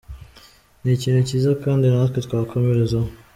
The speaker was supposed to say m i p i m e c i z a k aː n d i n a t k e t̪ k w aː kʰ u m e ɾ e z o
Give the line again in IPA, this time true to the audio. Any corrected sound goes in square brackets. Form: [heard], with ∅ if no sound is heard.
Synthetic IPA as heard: [n] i [c] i [n] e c i z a k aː n d i n a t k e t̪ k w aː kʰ [o] m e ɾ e z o